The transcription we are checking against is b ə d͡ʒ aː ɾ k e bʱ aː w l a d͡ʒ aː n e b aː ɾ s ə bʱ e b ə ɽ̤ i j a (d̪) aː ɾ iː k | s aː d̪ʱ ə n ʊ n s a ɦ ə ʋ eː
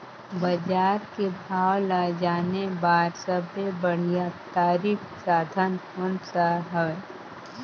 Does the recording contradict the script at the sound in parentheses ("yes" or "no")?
yes